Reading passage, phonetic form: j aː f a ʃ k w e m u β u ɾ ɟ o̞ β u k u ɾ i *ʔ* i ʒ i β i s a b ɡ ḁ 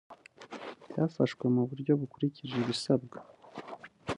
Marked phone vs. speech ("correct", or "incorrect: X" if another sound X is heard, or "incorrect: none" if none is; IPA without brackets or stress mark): incorrect: c